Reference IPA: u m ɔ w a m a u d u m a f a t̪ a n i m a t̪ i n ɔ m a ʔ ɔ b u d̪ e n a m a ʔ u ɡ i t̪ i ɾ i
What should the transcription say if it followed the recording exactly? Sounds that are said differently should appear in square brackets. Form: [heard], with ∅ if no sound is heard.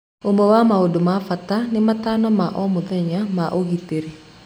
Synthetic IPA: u m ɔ w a m a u d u m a f a t̪ a n i m a t̪ [a] n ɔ m a ʔ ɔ [m] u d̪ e [ɲ] a m a ʔ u ɡ i t̪ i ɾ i